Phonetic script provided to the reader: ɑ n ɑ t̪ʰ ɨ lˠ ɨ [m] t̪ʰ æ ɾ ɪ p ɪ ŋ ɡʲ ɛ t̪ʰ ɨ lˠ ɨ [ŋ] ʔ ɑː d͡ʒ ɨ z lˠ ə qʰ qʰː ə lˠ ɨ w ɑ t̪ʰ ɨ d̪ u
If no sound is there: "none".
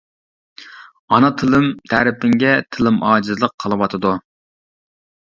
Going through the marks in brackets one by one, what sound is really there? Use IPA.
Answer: m, m

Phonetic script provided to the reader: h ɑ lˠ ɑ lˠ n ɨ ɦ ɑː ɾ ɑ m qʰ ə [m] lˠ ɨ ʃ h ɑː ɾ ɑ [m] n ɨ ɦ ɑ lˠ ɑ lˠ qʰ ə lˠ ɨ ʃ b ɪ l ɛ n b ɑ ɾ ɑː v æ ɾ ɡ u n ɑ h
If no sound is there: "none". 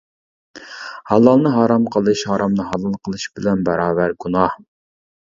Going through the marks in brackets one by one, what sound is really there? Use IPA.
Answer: none, m

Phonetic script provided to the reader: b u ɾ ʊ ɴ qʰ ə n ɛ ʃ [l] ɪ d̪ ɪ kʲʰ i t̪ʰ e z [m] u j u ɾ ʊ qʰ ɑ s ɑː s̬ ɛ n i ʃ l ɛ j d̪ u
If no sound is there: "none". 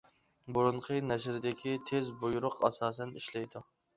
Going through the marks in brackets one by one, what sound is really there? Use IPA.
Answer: ɾ, b

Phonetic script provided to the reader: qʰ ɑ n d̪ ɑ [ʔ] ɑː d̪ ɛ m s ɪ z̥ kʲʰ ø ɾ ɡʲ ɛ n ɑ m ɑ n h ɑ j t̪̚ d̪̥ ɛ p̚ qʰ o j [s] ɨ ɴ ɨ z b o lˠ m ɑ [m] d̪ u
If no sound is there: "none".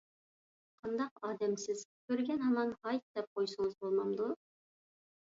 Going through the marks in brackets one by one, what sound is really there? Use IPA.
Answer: q, s, m

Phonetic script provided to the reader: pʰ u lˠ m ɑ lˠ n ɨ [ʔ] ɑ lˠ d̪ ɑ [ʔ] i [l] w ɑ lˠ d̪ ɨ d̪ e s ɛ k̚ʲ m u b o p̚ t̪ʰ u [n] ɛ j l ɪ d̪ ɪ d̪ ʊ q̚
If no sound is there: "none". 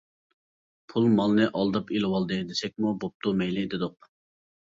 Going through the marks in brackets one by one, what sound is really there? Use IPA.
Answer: ʔ, p, l, m

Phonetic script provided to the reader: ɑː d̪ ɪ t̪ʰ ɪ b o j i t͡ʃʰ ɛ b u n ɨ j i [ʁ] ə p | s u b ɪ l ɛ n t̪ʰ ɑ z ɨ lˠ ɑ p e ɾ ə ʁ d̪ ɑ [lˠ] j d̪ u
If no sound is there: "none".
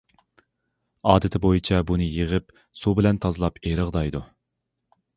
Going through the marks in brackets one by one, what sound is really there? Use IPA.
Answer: ʁ, none

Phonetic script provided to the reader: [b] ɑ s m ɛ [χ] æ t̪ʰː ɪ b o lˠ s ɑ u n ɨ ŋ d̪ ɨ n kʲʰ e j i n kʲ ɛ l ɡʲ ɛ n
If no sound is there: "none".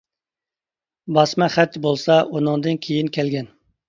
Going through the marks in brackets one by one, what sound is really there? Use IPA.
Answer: b, χ

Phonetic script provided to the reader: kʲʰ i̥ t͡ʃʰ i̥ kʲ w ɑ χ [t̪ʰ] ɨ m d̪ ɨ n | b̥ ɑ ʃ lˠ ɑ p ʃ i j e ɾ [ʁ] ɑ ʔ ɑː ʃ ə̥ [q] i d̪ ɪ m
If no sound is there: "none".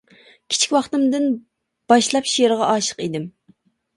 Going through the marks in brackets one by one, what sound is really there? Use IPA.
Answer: t̪, ʁ, q

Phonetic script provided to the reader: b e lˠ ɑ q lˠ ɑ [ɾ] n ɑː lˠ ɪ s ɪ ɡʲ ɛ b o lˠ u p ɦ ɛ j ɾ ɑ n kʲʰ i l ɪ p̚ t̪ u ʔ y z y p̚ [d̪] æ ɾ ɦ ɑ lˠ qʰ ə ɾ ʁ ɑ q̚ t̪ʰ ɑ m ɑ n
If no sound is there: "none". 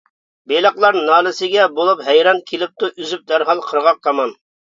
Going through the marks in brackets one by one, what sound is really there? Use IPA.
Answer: ɾ, d̪

